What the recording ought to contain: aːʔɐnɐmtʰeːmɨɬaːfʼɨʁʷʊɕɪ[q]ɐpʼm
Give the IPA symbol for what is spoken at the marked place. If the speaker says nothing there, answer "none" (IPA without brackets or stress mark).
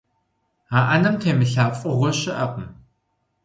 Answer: ʔ